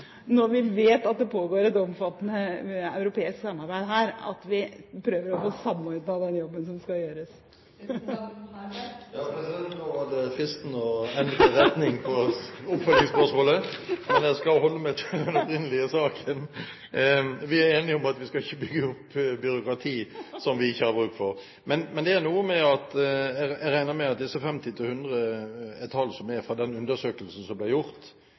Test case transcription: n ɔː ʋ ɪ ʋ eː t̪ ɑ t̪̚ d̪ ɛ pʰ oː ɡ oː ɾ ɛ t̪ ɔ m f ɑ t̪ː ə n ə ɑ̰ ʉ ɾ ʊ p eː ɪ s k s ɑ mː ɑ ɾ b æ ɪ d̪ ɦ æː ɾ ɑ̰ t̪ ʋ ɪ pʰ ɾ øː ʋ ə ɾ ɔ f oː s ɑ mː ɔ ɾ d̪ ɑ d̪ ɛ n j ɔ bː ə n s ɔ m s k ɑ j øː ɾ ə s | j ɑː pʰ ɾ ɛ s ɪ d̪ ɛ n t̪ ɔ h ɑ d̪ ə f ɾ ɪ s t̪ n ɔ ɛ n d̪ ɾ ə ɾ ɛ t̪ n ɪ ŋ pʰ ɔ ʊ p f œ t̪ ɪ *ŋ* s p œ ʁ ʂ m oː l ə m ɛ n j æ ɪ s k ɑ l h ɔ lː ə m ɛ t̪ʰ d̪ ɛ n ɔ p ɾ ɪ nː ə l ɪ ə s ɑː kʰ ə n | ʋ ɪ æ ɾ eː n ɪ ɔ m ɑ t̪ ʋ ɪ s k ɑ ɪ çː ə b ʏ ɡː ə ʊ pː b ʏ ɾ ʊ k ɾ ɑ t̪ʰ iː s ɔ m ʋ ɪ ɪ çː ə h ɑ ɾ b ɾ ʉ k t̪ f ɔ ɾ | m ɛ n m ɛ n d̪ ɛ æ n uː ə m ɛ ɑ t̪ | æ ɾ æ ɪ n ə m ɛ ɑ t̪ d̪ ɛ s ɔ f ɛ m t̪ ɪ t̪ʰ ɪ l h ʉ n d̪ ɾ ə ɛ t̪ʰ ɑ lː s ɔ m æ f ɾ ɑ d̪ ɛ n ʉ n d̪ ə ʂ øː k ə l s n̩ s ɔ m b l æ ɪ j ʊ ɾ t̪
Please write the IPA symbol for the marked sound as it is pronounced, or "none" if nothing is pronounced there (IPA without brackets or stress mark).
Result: ŋ